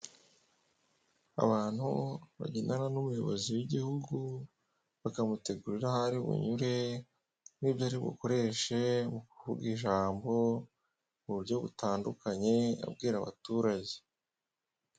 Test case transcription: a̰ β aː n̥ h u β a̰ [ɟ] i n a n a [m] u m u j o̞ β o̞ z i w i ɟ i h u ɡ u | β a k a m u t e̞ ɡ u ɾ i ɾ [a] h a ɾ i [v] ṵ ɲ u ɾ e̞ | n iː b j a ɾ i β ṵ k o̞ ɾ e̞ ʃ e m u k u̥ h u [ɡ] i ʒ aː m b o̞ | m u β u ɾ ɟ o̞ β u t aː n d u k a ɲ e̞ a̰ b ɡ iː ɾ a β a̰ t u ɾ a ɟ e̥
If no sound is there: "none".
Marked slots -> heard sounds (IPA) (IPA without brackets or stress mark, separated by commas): ɟ, n, a, β, ɡ